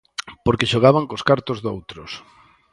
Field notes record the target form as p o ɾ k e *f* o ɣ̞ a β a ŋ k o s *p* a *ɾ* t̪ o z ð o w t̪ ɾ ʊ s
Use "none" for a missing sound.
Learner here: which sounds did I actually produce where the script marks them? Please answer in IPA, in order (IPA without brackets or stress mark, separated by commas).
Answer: ʃ, k, ɾ